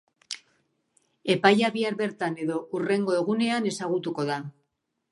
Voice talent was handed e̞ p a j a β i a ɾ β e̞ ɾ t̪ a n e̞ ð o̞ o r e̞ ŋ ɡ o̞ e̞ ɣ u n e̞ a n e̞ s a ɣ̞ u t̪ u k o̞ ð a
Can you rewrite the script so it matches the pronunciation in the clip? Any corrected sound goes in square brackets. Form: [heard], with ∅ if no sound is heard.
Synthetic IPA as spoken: e̞ p a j a β i a ɾ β e̞ ɾ t̪ a n e̞ ð o̞ [u] r e̞ ŋ ɡ o̞ e̞ ɣ u n e̞ a n e̞ s a ɣ̞ u t̪ u k o̞ ð a